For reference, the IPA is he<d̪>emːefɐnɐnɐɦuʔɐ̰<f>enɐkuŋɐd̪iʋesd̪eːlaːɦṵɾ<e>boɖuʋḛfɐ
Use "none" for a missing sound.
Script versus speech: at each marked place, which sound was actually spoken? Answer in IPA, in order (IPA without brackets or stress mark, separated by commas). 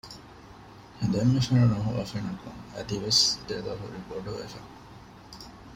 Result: d̪, f, i